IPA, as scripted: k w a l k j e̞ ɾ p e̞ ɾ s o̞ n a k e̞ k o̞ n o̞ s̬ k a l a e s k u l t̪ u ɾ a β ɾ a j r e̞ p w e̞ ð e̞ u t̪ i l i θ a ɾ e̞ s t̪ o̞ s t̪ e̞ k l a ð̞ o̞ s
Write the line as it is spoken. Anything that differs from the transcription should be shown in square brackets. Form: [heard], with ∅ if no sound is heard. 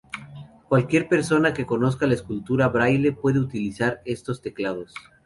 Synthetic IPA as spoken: k w a l k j e̞ ɾ p e̞ ɾ s o̞ n a k e̞ k o̞ n o̞ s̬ k a l a e s k u l t̪ u ɾ a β ɾ a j [l] e̞ p w e̞ ð e̞ u t̪ i l i [s] a ɾ e̞ s t̪ o̞ s t̪ e̞ k l a ð̞ o̞ s

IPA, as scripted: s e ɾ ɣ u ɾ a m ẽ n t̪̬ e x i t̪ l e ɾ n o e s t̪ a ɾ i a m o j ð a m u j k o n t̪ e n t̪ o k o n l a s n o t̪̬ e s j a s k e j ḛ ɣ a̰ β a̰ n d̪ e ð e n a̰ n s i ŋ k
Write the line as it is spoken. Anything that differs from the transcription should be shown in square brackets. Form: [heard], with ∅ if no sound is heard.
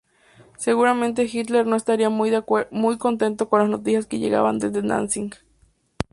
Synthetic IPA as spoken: s e [∅] ɣ u ɾ a m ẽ n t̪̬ e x i t̪ l e ɾ n o e s t̪ a ɾ i a m [u] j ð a m u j k o n t̪ e n t̪ o k o n l a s n o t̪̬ [i] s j a s k e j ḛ ɣ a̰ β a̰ n d̪ e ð e n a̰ n s i ŋ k

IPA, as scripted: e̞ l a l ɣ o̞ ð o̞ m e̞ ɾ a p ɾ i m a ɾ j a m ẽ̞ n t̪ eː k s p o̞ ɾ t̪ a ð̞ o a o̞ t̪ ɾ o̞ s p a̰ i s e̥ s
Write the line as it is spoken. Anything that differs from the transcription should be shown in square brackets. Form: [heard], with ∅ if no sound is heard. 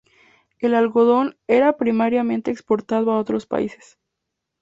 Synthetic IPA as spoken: e̞ l a l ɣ o̞ ð o̞ [n] e̞ ɾ a p ɾ i m a ɾ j a m ẽ̞ n t̪ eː k s p o̞ ɾ t̪ a ð̞ o a o̞ t̪ ɾ o̞ s p a̰ i s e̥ s

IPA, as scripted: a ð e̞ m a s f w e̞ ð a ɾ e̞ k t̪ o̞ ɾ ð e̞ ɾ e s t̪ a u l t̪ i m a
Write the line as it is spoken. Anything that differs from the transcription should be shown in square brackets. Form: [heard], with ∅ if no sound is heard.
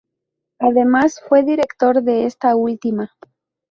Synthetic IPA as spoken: a ð e̞ m a s f w e̞ ð [i] ɾ e̞ k t̪ o̞ ɾ ð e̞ [∅] e s t̪ a u l t̪ i m a

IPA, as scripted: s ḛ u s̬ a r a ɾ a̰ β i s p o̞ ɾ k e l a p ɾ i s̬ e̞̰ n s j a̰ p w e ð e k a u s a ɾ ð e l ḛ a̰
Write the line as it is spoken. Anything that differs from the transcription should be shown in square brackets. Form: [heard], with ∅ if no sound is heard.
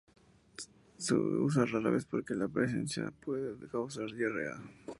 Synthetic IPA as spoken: s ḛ u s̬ a r a ɾ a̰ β [e] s p o̞ ɾ k e l a p ɾ [e] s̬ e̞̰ n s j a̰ p w e ð e k a [w] s a ɾ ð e [r] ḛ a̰

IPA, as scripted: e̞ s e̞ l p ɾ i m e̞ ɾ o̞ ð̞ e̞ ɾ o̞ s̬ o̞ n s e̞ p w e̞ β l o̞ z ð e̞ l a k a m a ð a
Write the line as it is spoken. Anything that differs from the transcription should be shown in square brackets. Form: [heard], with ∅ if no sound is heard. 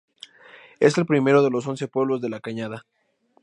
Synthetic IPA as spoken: e̞ s e̞ l p ɾ i m e̞ ɾ o̞ ð̞ e̞ [l] o̞ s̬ o̞ n s e̞ p w e̞ β l o̞ z ð e̞ l a k a [ɲ] a ð a

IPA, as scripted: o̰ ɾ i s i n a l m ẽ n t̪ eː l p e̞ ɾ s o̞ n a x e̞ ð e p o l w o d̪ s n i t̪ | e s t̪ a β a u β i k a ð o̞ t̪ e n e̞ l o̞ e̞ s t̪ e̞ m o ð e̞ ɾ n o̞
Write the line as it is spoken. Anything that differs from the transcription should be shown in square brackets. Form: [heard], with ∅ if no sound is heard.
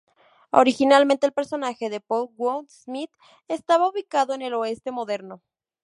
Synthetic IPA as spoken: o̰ ɾ i [x] i n a l m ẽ n t̪ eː l p e̞ ɾ s o̞ n a x e̞ ð e p o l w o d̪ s [m] i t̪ | e s t̪ a β a u β i k a ð o̞ [∅] e n e̞ l o̞ e̞ s t̪ e̞ m o ð e̞ ɾ n o̞

